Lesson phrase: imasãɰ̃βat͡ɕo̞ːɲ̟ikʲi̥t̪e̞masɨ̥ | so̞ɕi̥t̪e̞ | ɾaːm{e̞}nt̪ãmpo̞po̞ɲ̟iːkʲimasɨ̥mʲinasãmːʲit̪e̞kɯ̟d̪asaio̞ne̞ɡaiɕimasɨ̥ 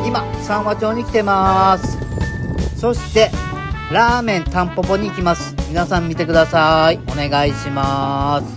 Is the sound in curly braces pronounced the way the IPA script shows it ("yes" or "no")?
no